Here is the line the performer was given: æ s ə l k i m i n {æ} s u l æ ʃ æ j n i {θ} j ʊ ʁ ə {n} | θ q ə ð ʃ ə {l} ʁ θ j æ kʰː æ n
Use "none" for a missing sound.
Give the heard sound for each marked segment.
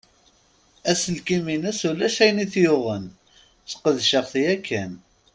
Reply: æ, θ, n, none

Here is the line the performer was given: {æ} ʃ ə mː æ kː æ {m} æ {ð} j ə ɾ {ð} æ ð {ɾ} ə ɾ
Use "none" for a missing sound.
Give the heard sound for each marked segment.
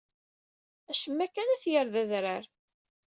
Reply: æ, n, θ, ð, ɾ

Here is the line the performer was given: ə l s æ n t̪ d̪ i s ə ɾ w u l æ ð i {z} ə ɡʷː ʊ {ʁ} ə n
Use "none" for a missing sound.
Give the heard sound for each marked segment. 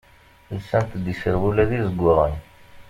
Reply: z, ʁ

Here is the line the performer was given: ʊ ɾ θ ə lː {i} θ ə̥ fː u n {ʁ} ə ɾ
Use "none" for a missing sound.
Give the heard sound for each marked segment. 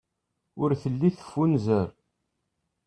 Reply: i, z

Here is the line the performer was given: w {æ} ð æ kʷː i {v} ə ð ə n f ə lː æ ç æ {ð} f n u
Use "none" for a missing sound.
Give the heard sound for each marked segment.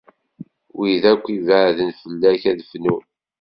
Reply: i, v, ð

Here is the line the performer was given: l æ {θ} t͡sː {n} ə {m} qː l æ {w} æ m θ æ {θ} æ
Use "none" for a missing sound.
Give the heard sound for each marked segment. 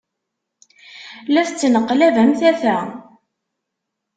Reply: θ, n, none, v, θ

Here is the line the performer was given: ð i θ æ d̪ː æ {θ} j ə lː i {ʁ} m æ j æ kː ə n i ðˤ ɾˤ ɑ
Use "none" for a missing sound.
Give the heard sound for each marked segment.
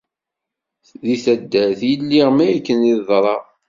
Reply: θ, ʁ

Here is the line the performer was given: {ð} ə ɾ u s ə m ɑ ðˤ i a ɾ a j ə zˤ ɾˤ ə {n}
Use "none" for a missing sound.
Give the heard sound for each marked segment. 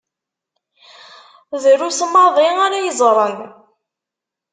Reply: ð, n

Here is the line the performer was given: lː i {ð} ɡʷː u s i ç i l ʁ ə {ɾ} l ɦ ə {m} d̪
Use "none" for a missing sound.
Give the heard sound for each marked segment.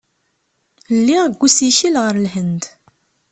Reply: ʁ, ɾ, n

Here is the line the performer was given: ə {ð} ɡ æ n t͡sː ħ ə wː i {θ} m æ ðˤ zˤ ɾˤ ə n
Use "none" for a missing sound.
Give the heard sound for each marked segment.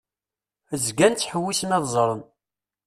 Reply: z, s

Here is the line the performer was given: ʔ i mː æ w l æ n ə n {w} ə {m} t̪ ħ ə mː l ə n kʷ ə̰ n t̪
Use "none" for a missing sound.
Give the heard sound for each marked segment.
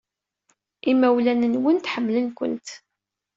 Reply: w, n

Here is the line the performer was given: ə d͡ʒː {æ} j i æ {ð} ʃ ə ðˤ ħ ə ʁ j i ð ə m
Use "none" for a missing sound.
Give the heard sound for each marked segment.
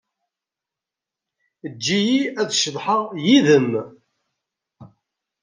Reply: i, ð

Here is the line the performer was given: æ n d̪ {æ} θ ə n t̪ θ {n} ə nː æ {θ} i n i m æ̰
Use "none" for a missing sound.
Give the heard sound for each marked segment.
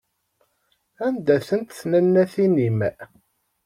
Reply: æ, n, θ

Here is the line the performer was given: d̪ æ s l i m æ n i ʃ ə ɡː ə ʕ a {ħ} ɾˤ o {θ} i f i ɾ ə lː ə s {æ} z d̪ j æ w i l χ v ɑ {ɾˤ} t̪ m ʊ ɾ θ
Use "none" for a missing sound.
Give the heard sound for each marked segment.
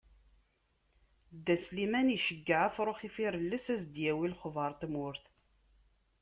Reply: f, χ, æ, ɾˤ

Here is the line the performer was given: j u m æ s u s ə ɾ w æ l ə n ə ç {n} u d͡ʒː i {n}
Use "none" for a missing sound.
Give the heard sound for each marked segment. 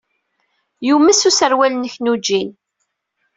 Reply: n, n

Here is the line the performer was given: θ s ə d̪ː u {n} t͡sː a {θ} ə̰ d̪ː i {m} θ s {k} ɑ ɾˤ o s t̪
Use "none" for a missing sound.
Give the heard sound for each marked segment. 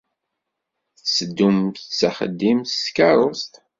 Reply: m, χ, m, k

